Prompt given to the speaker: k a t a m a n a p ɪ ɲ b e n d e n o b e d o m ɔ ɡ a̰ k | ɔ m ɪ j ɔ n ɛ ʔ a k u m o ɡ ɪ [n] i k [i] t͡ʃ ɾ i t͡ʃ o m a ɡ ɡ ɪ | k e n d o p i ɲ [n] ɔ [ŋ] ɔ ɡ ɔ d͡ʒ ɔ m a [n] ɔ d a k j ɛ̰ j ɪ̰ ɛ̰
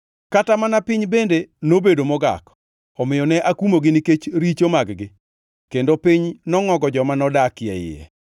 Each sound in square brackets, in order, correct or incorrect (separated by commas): correct, incorrect, correct, correct, correct